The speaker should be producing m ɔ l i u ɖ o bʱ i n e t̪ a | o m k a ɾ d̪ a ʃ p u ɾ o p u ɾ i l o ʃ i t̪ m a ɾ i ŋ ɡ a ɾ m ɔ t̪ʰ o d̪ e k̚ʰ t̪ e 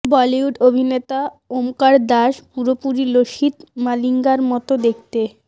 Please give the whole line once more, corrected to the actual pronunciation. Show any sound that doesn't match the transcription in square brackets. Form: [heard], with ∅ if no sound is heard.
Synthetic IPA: [b] ɔ l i u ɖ o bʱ i n e t̪ a | o m k a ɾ d̪ a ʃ p u ɾ o p u ɾ i l o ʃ i t̪ m a [l] i ŋ ɡ a ɾ m ɔ [t̪] o d̪ e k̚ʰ t̪ e